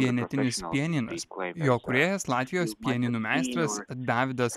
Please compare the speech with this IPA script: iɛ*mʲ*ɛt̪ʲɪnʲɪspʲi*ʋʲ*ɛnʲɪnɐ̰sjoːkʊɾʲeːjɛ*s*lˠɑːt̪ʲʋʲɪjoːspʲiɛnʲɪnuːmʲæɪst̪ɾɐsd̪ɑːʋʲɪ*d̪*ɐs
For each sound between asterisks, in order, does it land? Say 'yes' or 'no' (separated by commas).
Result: no, no, yes, yes